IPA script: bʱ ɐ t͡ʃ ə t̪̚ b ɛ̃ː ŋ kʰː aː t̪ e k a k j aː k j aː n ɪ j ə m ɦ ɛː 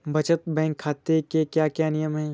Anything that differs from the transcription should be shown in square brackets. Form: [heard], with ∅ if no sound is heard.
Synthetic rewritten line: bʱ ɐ t͡ʃ ə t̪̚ b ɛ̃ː ŋ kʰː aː t̪ e k [e] k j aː k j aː n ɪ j ə m ɦ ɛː